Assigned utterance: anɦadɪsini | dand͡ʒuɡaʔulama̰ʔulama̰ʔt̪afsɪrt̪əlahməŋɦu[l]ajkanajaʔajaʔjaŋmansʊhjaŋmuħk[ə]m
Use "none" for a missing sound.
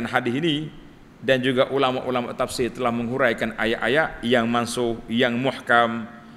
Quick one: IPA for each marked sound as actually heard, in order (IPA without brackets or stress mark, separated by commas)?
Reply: ɾ, a